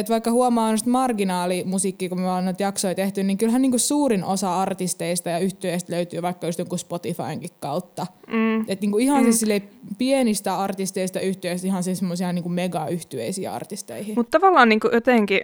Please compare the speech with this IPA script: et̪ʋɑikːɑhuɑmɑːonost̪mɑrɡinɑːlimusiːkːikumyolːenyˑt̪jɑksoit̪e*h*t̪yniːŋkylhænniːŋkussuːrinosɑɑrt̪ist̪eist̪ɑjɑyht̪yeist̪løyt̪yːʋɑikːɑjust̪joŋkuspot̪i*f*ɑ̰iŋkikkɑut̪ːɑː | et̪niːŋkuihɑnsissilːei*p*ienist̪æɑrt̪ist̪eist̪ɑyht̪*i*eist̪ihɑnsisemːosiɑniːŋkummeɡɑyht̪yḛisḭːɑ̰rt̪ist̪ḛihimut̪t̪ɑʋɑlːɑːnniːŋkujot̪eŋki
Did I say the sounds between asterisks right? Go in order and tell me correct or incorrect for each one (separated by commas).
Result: correct, correct, correct, incorrect